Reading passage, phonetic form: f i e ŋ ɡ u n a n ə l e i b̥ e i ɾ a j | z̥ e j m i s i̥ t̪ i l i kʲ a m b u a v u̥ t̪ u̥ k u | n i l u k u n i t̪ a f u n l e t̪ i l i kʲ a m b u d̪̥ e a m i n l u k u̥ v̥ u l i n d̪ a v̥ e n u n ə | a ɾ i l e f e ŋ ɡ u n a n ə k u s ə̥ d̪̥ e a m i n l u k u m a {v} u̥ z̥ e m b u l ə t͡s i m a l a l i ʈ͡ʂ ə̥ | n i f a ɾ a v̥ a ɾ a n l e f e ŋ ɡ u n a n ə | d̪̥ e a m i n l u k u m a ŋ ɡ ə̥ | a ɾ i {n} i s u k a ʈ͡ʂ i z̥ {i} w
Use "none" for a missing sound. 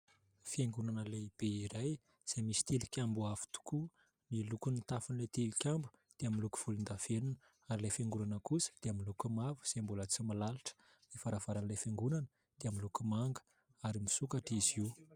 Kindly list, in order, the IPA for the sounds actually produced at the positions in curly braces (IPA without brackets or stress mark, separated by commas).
v, m, i